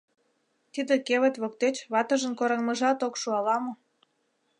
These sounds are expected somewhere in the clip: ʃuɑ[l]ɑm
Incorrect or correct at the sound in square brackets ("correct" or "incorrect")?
correct